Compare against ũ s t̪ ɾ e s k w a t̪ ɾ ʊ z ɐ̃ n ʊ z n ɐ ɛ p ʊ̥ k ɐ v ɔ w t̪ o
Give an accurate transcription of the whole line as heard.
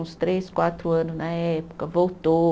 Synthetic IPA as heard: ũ s t̪ ɾ e s k w a t̪ ɾ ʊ ɐ̃ n ʊ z n ɐ ɛ p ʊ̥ k ɐ v o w t̪ o